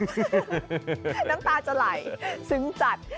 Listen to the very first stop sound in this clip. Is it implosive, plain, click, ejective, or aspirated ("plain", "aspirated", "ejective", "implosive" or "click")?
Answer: plain